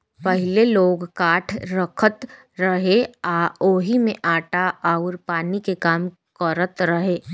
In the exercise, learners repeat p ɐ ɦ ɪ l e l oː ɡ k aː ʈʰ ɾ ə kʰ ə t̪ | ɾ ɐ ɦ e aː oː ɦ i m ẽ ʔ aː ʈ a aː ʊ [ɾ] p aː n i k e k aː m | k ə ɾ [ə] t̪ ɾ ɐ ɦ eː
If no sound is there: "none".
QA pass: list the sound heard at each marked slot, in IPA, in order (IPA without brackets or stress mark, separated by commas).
ɾ, ə